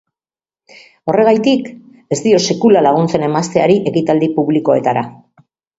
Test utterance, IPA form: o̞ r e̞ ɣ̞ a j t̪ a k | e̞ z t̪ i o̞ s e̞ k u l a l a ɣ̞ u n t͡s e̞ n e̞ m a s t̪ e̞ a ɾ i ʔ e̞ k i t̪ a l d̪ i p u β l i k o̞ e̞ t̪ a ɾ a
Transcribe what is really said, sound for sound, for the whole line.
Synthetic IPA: o̞ r e̞ ɣ̞ a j t̪ i k | e̞ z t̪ i o̞ s e̞ k u l a l a ɣ̞ u n t͡s e̞ n e̞ m a s t̪ e̞ a ɾ i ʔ e̞ k i t̪ a l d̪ i p u β l i k o̞ e̞ t̪ a ɾ a